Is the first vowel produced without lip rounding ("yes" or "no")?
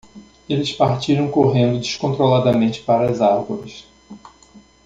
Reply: yes